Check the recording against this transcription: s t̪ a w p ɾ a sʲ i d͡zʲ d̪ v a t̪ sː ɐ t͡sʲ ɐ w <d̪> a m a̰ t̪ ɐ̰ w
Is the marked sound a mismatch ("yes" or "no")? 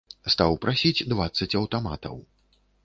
yes